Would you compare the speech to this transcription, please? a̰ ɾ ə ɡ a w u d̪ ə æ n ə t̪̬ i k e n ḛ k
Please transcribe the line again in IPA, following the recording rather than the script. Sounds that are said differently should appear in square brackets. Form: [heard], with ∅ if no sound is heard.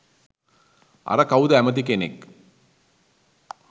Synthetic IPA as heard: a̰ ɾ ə [k] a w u d̪ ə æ [m] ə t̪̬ i k e n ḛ k